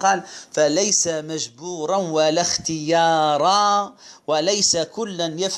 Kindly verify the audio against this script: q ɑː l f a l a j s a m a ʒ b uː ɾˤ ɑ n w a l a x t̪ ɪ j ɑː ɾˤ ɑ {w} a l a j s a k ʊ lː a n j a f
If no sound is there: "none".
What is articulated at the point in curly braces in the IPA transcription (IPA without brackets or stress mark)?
w